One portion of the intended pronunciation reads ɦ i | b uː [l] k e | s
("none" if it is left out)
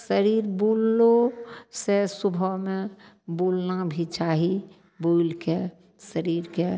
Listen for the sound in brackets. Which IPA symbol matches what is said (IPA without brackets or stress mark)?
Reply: l